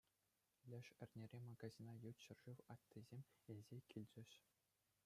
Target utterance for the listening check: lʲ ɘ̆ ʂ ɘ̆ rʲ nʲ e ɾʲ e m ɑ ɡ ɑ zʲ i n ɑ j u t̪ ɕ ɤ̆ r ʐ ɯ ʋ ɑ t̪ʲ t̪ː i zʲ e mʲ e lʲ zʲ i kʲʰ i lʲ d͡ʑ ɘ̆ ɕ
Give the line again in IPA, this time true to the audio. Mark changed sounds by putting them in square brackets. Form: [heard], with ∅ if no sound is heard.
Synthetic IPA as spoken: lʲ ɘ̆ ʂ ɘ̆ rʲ nʲ e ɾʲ e m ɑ ɡ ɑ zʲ i n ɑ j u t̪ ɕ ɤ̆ r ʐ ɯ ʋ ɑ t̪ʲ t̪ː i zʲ e mʲ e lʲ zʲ [e] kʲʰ i lʲ d͡ʑ ɘ̆ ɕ